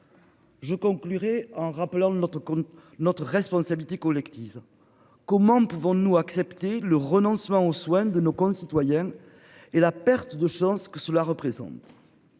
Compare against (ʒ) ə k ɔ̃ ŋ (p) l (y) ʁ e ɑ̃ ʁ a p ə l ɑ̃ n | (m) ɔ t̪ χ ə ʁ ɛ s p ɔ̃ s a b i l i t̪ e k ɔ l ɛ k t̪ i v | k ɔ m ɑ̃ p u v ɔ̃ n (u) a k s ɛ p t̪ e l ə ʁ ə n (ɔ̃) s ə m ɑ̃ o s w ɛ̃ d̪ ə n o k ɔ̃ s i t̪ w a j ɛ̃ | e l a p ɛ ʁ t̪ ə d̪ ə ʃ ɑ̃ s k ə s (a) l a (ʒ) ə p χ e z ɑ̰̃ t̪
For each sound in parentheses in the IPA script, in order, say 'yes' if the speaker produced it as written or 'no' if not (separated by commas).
yes, no, yes, no, yes, yes, no, no